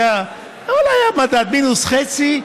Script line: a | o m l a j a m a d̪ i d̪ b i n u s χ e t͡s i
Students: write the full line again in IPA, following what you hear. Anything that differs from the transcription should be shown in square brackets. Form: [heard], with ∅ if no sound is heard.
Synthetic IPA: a | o [∅] l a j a m a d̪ [a] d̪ [m] i n u s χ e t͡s i